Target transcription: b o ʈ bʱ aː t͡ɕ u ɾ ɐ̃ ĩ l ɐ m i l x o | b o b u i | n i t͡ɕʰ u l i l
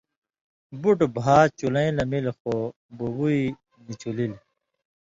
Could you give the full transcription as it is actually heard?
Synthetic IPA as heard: b u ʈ bʱ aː t͡ɕ u l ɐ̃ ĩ l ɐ m i l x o | b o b u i | n i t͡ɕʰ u l i l